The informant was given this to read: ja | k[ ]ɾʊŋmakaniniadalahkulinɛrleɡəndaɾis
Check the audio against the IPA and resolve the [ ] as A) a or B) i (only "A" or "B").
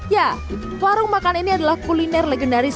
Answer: A